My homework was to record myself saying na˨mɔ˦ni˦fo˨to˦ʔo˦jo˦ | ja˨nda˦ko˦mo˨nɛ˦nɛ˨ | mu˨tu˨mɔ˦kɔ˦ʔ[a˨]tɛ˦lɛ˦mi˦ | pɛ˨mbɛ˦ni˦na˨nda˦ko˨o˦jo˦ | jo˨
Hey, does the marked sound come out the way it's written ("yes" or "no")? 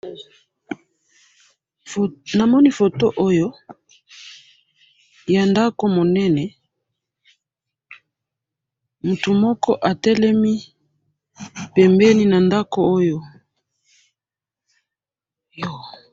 yes